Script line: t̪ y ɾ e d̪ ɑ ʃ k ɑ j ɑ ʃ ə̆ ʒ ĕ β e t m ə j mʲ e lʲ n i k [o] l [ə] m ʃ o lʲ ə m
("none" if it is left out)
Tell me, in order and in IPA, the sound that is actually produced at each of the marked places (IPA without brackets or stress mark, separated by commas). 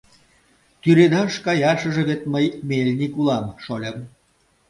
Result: u, ɑ